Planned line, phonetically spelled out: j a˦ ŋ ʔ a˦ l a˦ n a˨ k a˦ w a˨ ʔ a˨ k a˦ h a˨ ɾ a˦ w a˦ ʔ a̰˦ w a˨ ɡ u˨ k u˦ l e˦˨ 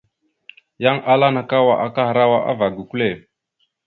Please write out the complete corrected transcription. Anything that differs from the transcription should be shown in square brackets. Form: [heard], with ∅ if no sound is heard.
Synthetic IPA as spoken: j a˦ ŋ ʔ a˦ l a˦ n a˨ k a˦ w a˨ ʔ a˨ k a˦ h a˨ ɾ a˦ w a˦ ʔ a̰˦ [v] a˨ ɡ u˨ k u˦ l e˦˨